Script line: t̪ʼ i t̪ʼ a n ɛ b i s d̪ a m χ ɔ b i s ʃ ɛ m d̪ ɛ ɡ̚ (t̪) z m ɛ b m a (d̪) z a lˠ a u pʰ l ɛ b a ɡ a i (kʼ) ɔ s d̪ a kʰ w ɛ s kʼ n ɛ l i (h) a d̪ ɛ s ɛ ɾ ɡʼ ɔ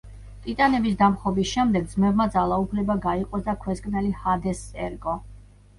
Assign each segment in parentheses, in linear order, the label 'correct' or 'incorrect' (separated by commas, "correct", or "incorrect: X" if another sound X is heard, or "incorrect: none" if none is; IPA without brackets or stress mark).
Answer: incorrect: d̪, correct, incorrect: qʼ, correct